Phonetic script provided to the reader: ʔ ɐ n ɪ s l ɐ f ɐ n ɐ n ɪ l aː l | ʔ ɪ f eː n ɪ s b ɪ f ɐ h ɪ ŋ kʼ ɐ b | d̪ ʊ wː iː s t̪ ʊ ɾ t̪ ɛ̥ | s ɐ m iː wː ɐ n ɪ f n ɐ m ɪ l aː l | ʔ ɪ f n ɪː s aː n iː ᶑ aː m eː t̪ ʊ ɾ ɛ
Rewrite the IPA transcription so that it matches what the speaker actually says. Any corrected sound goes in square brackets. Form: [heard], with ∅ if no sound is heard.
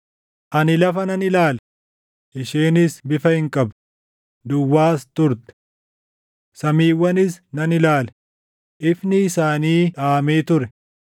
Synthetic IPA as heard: ʔ ɐ n ɪ [∅] l ɐ f ɐ n ɐ n ɪ l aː l | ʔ ɪ [ʃ] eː n ɪ s b ɪ f ɐ h ɪ ŋ kʼ ɐ b | d̪ ʊ wː [aː] s t̪ ʊ ɾ t̪ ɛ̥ | s ɐ m iː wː ɐ n ɪ [s] n ɐ [n] ɪ l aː l | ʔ ɪ f n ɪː s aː n iː ᶑ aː m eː t̪ ʊ ɾ ɛ